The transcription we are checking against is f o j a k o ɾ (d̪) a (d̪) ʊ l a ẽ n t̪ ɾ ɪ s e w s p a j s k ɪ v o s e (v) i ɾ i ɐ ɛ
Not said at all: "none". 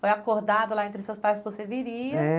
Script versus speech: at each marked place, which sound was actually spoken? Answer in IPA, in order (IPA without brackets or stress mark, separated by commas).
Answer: d̪, d̪, v